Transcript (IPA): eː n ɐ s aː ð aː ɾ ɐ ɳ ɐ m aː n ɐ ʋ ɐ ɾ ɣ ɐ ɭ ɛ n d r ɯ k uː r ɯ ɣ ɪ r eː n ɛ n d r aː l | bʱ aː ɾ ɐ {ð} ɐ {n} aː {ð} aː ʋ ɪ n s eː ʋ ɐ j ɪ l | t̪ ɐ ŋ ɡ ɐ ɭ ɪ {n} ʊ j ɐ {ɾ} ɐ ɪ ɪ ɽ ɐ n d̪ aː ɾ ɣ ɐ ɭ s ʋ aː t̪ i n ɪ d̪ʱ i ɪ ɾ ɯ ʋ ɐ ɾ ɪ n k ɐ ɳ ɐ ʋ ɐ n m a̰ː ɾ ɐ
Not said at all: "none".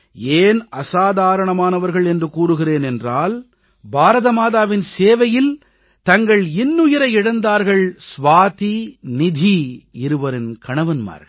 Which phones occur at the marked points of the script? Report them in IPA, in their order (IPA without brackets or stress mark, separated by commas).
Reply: ð, m, ð, nː, ɾ